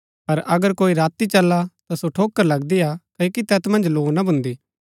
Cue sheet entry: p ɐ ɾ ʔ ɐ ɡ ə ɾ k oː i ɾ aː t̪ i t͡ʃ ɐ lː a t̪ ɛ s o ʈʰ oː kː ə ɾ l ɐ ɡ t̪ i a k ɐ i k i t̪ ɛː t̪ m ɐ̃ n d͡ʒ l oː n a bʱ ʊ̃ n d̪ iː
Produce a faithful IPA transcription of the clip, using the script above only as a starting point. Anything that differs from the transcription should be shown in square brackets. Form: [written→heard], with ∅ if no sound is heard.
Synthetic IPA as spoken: p ɐ ɾ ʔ ɐ ɡ ə ɾ k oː i ɾ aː t̪ i t͡ʃ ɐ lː a t̪ [ɛ→a] s o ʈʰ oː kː ə ɾ l ɐ ɡ [t̪→d̪] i a k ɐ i k i t̪ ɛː t̪ m ɐ̃ n d͡ʒ l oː n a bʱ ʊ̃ n d̪ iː